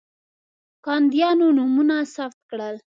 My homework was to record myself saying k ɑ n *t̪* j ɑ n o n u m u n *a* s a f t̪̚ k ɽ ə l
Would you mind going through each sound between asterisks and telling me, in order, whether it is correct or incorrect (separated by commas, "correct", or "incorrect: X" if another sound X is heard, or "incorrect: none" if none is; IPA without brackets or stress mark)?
incorrect: d̪, correct